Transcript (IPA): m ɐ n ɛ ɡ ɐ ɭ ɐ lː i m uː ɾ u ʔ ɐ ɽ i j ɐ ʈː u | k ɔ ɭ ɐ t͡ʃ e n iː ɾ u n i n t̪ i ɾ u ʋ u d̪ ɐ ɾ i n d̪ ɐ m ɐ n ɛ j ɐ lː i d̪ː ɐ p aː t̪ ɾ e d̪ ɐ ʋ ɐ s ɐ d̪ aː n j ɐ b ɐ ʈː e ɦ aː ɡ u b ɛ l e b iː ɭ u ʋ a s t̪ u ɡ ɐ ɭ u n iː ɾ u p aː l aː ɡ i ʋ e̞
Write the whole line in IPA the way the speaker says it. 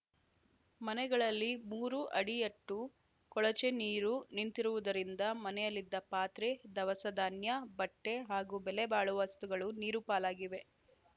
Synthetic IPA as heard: m ɐ n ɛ ɡ ɐ ɭ ɐ lː i m uː ɾ u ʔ ɐ ɽ i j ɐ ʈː u | k ɔ ɭ ɐ t͡ʃ e n iː ɾ u n i n t̪ i ɾ u ʋ u d̪ ɐ ɾ i n d̪ ɐ m ɐ n ɛ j ɐ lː i d̪ː ɐ p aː t̪ ɾ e d̪ ɐ ʋ ɐ s ɐ d̪ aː n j ɐ b ɐ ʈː e ɦ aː ɡ u b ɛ l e b aː ɭ u ʋ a s t̪ u ɡ ɐ ɭ u n iː ɾ u p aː l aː ɡ i ʋ e̞

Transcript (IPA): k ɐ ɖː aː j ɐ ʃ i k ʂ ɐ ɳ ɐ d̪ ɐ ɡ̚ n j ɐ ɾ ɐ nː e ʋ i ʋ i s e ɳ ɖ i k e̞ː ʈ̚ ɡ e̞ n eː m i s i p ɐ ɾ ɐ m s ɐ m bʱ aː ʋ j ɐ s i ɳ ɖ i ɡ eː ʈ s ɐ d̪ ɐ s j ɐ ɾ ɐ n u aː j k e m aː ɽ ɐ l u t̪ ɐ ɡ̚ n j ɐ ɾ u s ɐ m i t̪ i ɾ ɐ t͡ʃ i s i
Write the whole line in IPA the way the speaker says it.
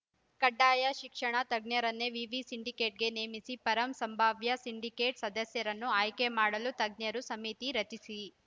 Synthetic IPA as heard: k ɐ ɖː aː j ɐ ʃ i k ʂ ɐ ɳ ɐ t̪ ɐ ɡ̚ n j ɐ ɾ ɐ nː e ʋ i ʋ i s i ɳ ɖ i k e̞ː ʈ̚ ɡ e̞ n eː m i s i p ɐ ɾ ɐ m s ɐ m bʱ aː ʋ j ɐ s i ɳ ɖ i k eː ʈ s ɐ d̪ ɐ s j ɐ ɾ ɐ nː u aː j k e m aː ɽ ɐ l u t̪ ɐ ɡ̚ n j ɐ ɾ u s ɐ m i t̪ i ɾ ɐ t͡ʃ i s i

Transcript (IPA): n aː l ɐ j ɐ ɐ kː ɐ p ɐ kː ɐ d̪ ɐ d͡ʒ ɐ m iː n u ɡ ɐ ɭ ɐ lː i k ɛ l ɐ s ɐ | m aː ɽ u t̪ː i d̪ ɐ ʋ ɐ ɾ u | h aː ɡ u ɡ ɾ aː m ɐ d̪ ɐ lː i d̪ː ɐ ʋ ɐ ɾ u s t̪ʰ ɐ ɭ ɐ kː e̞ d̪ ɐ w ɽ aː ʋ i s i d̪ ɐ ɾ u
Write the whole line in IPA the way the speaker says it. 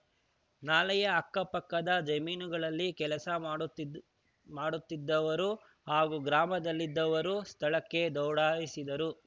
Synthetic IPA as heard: n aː l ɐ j ɐ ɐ kː ɐ p ɐ kː ɐ d̪ ɐ d͡ʒ ɐ m iː n u ɡ ɐ ɭ ɐ lː i k ɛ l ɐ s ɐ | m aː ɽ u t̪ː i d̪ː ɐ ʋ ɐ ɾ u | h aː ɡ u ɡ ɾ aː m ɐ d̪ ɐ lː i d̪ː ɐ ʋ ɐ ɾ u s t̪ʰ ɐ ɭ ɐ kː e̞ d̪ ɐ w ɽ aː ʋ i s i d̪ ɐ ɾ u

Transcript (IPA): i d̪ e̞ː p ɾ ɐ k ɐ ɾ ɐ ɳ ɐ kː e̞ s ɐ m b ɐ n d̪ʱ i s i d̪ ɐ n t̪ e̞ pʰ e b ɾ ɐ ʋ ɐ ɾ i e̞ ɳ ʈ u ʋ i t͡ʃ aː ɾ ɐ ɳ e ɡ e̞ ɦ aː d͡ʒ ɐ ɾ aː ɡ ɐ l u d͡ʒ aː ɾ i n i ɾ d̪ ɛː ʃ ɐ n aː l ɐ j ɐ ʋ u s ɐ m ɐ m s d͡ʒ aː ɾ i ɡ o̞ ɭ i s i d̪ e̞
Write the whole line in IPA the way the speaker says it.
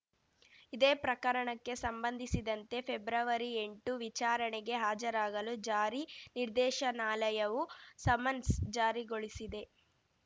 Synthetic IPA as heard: i d̪ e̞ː p ɾ ɐ k ɐ ɾ ɐ ɳ ɐ kː e̞ s ɐ m b ɐ n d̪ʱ i s i d̪ ɐ n t̪ e̞ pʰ e b ɾ ɐ ʋ ɐ ɾ i e̞ ɳ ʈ u ʋ i t͡ʃ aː ɾ ɐ ɳ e ɡ e̞ ɦ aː d͡ʒ ɐ ɾ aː ɡ ɐ l u d͡ʒ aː ɾ i n i ɾ d̪ ɛː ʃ ɐ n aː l ɐ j ɐ ʋ u s ɐ m ɐ n s d͡ʒ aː ɾ i ɡ o̞ ɭ i s i d̪ e̞

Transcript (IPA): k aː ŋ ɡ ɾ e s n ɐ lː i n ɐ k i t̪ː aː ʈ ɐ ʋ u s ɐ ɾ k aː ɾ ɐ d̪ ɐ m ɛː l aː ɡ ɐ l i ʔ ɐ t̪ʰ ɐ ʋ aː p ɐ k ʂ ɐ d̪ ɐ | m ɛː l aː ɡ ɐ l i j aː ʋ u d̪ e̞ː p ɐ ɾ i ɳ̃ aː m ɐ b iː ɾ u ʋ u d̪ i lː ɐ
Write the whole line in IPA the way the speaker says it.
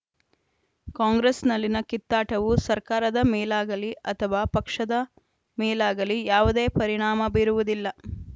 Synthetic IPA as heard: k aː ŋ ɡ ɾ e s n ɐ lː i n ɐ k i t̪ː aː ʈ ɐ ʋ u s ɐ ɾ k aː ɾ ɐ d̪ ɐ m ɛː l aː ɡ ɐ l i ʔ ɐ t̪ʰ ɐ ʋ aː p ɐ k ʂ ɐ d̪ ɐ | m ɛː l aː ɡ ɐ l i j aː ʋ u d̪ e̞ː p ɐ ɾ i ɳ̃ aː m ɐ b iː ɾ u ʋ u d̪ i lː ɐ

